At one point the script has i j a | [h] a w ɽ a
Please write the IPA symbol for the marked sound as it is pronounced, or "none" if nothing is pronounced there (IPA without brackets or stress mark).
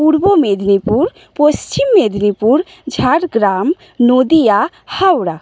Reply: h